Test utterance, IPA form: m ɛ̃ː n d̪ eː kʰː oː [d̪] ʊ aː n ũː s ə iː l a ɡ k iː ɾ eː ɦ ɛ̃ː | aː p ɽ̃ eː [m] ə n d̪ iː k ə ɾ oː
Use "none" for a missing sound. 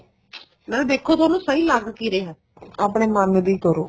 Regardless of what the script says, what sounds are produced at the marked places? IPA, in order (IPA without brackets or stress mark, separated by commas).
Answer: t̪, m